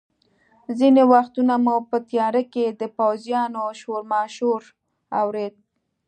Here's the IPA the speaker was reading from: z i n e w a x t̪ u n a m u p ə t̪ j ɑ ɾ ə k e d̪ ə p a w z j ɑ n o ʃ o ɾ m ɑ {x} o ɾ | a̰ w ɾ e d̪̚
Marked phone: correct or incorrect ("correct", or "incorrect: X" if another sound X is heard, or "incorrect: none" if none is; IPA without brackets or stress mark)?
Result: incorrect: ʃ